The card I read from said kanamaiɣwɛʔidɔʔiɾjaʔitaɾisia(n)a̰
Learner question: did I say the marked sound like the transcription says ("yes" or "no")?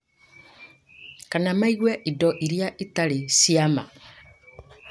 no